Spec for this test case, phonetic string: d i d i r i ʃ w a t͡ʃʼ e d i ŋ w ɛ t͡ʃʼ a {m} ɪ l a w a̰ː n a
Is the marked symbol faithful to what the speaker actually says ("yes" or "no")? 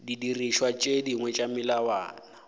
yes